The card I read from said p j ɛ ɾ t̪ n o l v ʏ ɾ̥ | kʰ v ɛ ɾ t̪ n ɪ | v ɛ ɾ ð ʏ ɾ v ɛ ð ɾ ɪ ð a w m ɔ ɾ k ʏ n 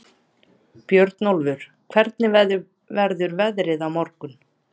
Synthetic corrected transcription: p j œ ɾ t̪ n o l v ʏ ɾ̥ | kʰ v ɛ ɾ t̪ n ɪ | v ɛ ɾ ð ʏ ɾ v ɛ ð ɾ ɪ ð a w m ɔ ɾ k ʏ n